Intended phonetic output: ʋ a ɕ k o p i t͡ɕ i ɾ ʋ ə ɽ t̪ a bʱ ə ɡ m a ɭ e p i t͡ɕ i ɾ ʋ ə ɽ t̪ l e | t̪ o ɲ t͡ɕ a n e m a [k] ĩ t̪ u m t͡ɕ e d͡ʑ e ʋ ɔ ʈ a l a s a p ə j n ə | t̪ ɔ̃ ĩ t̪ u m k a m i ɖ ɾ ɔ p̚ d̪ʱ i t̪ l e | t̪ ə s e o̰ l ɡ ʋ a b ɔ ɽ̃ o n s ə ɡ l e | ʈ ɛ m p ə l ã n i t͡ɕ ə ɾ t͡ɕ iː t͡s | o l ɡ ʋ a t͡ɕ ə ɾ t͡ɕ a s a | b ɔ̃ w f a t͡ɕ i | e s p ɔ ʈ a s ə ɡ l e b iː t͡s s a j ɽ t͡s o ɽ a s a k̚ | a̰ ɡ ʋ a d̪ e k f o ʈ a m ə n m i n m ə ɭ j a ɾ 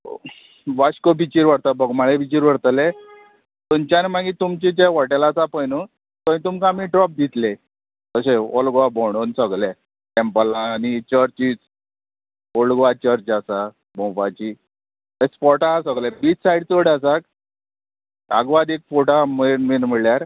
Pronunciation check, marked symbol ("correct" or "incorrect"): incorrect